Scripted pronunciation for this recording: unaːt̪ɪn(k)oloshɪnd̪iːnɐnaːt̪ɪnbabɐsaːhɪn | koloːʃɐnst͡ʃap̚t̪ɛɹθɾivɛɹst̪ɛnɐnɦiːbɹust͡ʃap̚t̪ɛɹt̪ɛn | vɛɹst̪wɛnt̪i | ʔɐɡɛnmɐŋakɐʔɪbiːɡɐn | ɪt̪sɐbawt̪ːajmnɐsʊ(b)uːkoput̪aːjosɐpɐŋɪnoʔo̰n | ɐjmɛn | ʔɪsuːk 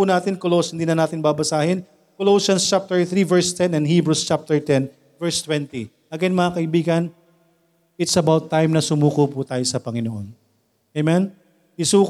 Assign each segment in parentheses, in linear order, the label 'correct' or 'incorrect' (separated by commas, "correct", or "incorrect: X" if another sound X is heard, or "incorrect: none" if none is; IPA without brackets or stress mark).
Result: correct, incorrect: m